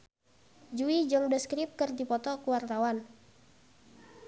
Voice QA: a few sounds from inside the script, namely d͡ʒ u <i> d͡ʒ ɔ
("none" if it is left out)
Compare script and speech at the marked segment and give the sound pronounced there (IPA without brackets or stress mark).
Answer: i